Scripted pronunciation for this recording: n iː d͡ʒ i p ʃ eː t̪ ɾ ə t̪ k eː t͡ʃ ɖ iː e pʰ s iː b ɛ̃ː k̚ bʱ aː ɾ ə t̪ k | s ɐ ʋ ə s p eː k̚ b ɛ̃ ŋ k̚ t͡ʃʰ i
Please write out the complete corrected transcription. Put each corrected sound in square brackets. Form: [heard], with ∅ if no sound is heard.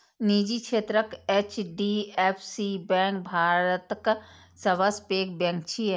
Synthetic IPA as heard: n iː d͡ʒ i [k] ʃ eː t̪ ɾ ə [∅] k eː t͡ʃ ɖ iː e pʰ s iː b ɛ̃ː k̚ bʱ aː ɾ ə t̪ k | s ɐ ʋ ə s p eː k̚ b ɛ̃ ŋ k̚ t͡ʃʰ i